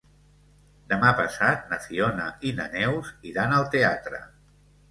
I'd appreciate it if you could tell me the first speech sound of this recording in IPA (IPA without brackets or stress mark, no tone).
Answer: d̪